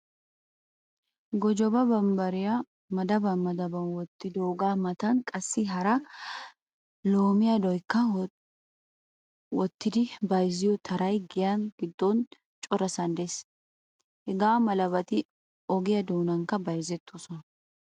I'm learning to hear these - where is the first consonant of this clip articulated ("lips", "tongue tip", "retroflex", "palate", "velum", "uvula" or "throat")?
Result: velum